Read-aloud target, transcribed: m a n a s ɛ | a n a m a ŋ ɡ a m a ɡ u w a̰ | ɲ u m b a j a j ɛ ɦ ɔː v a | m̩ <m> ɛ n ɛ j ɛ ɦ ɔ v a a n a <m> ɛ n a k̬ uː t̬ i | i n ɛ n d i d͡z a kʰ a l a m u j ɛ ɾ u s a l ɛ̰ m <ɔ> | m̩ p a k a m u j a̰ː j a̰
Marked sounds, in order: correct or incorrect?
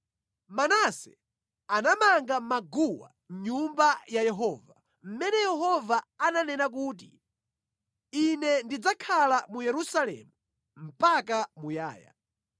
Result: correct, incorrect, incorrect

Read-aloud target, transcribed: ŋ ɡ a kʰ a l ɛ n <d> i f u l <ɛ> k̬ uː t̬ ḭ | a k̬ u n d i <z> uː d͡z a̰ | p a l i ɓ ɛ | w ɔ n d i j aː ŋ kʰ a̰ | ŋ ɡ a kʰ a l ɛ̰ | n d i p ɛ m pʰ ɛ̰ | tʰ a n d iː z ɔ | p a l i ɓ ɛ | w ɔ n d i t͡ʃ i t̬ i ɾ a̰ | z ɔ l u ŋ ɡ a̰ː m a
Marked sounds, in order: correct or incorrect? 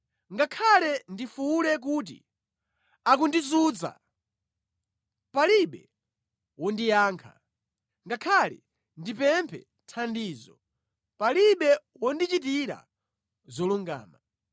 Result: correct, correct, correct

